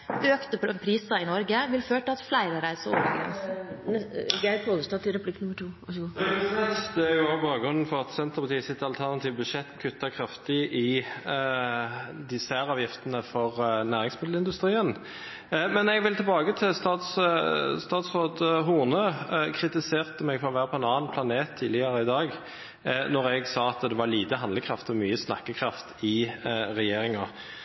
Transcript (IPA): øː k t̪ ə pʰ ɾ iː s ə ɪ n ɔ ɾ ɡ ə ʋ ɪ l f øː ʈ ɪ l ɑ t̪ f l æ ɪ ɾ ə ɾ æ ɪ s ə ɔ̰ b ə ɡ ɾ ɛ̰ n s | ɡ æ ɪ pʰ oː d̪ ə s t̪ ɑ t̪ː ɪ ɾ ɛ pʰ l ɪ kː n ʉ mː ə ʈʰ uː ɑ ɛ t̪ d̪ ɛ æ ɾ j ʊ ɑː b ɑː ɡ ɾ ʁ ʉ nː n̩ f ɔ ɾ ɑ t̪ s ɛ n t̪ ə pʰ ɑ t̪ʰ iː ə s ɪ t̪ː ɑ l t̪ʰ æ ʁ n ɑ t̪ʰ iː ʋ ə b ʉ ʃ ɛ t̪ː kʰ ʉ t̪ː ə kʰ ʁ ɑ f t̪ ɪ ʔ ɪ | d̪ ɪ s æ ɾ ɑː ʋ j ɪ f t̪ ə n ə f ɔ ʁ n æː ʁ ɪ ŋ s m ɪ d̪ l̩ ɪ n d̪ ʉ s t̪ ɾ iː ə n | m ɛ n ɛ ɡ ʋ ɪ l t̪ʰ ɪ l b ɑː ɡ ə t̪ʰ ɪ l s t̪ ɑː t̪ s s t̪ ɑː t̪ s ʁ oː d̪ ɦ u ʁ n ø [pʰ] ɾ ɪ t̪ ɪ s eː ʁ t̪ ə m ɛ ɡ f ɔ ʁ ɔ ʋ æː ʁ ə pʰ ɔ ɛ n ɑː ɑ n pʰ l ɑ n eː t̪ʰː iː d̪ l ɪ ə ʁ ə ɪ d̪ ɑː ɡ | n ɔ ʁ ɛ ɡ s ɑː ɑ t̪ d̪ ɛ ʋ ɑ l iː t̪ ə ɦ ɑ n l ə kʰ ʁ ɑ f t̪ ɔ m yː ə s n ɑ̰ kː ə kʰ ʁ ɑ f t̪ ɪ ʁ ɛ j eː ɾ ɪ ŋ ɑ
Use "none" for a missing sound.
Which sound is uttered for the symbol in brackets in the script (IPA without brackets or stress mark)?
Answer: kʰ